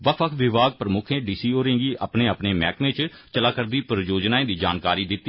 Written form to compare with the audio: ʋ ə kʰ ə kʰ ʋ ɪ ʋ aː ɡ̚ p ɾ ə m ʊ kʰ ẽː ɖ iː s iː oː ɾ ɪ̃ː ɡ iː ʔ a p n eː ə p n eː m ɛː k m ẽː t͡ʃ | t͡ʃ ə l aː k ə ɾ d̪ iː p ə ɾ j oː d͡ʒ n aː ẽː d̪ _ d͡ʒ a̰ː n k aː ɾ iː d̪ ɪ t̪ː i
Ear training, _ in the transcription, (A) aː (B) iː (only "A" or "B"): B